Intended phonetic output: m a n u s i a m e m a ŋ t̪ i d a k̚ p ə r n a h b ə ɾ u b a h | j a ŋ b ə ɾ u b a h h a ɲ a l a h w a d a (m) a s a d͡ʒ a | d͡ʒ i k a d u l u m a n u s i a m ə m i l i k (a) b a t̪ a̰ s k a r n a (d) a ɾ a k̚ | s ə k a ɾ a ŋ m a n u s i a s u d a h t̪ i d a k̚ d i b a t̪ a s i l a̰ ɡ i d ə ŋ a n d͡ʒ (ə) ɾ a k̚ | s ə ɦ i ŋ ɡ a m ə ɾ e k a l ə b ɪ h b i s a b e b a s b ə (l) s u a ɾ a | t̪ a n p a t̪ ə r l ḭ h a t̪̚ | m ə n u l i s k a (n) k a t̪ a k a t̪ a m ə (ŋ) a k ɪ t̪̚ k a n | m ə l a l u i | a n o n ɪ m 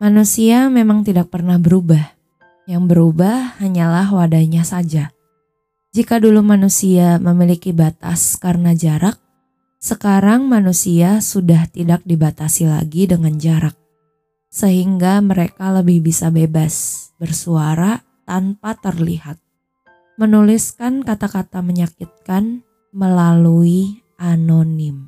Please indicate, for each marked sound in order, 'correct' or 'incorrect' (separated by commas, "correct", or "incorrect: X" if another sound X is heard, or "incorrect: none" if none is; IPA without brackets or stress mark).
incorrect: ɲ, incorrect: i, incorrect: d͡ʒ, incorrect: a, incorrect: r, correct, incorrect: ɲ